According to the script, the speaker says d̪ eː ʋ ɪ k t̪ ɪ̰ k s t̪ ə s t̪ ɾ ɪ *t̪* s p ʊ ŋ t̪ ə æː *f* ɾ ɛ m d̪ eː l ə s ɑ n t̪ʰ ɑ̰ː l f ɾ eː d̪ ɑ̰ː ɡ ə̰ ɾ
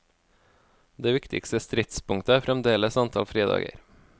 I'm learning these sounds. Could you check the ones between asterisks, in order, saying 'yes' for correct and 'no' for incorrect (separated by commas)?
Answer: yes, yes